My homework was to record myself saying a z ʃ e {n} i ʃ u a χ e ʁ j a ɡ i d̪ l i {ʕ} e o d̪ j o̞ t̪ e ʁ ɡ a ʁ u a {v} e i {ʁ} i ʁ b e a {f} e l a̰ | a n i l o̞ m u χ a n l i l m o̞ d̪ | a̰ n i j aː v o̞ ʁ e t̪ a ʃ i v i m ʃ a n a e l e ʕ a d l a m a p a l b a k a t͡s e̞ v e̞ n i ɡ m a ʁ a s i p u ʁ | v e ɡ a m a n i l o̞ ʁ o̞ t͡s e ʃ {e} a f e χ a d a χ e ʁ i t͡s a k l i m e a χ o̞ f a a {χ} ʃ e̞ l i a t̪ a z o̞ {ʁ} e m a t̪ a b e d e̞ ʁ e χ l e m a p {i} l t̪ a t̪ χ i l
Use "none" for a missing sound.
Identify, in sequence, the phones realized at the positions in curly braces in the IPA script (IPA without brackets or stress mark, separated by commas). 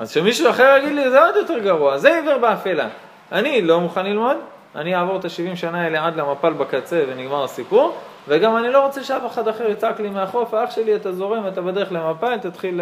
m, z, z, v, f, e, χ, ʁ, a